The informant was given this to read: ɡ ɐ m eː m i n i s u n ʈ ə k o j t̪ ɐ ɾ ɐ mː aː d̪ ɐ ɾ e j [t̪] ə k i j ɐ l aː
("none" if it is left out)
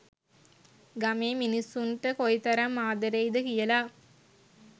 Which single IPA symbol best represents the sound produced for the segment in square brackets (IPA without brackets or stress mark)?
d̪